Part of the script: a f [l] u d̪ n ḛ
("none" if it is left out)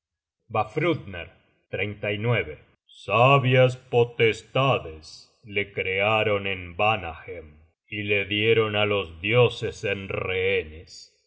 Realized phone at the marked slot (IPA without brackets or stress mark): ɾ